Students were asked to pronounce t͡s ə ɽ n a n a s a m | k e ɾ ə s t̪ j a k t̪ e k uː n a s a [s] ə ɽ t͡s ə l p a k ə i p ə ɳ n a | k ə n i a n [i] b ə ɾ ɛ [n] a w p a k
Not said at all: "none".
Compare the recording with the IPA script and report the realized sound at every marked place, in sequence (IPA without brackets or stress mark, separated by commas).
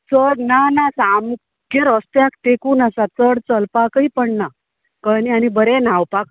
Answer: t͡s, i, n